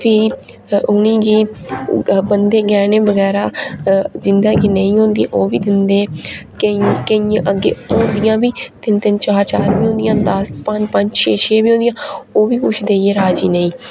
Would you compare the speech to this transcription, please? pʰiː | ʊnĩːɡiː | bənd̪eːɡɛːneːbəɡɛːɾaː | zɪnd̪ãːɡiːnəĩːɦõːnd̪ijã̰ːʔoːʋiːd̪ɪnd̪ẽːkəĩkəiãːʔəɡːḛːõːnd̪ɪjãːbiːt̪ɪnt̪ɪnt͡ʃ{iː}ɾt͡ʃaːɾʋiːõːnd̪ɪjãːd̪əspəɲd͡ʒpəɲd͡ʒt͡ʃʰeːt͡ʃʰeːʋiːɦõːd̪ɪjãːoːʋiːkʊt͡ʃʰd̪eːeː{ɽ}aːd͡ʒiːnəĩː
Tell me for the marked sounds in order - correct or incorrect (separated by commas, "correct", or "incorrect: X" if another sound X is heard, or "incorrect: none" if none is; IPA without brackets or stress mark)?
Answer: incorrect: aː, incorrect: ɾ